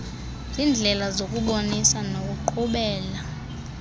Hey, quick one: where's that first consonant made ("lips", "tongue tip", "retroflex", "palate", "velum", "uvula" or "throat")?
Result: tongue tip